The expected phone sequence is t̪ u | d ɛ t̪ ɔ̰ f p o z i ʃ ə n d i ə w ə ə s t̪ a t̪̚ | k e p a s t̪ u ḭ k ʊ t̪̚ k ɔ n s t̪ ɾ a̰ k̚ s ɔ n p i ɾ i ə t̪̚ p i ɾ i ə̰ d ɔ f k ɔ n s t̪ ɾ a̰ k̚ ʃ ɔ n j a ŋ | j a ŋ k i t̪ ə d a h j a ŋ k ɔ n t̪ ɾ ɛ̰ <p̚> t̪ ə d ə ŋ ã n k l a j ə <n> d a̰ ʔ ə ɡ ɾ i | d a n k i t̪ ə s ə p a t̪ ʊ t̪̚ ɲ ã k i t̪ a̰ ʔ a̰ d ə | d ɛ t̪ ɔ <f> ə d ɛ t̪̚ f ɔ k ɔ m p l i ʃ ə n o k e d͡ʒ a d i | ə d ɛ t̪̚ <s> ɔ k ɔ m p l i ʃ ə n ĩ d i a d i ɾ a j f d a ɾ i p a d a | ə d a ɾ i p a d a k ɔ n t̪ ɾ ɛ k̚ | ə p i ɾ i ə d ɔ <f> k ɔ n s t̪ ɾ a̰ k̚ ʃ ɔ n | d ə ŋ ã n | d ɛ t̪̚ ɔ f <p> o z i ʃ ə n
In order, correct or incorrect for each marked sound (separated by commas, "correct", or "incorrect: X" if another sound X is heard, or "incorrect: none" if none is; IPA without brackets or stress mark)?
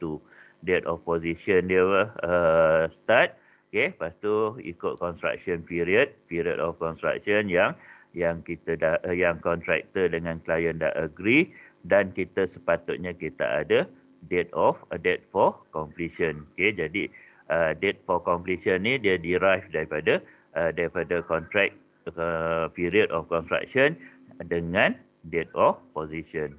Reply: incorrect: k̚, correct, correct, incorrect: f, correct, correct